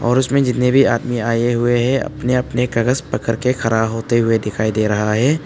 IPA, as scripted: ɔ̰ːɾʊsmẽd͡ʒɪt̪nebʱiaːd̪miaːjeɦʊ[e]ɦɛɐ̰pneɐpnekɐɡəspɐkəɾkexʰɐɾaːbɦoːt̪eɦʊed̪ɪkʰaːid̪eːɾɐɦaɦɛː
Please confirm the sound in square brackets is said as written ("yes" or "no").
yes